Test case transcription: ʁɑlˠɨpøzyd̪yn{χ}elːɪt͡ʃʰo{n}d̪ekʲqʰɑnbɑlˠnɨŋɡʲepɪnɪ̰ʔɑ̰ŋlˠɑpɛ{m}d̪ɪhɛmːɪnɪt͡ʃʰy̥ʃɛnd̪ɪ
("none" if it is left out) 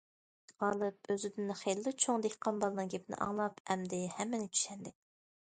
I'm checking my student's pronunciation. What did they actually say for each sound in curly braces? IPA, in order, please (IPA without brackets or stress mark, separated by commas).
χ, ŋ, m